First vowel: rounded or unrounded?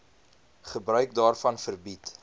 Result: unrounded